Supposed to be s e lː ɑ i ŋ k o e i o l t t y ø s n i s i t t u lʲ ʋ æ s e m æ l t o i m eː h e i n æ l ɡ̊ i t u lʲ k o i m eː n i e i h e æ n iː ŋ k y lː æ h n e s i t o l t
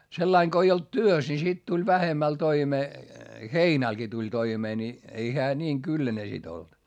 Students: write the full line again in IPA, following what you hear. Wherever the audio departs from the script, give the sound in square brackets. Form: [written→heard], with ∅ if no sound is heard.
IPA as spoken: s e lː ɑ i ŋ k o e i o l t t y ø s n i s i t t u lʲ ʋ æ [s→h] e m æ l t o i m eː h e i n æ l ɡ̊ i t u lʲ [k→t] o i m eː n i e i h e æ n iː ŋ k y lː æ [h→∅] n e s i t o l t